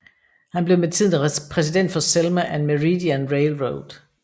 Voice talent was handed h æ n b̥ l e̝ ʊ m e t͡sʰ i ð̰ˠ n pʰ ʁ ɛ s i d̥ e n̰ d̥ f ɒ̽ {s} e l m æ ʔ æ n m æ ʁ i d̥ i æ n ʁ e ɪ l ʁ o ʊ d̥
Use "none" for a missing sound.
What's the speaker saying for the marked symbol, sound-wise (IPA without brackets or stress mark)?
s